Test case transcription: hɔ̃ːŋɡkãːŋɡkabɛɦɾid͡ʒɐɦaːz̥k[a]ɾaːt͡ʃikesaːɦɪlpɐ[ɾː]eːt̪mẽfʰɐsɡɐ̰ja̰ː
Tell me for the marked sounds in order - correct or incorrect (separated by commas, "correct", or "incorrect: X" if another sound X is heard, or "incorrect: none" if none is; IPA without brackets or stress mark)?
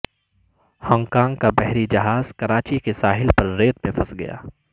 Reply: incorrect: ɐ, correct